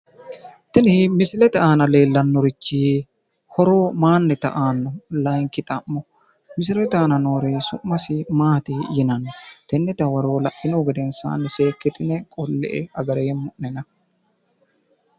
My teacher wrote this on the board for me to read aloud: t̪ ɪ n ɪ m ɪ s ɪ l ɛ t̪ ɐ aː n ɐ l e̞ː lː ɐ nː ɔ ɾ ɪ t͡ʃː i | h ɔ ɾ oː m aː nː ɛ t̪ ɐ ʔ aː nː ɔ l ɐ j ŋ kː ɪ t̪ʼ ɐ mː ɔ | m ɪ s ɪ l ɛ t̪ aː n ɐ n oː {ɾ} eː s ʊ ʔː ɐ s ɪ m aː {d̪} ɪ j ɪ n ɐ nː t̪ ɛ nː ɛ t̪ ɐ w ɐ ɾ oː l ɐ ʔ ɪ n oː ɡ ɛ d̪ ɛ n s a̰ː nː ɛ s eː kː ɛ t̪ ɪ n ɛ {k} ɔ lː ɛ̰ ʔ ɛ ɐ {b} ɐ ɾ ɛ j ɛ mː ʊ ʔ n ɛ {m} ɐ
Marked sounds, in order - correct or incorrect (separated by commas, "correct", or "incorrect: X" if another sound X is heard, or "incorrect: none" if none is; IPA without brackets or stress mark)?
correct, incorrect: t̪, incorrect: kʼ, incorrect: ɡ, incorrect: n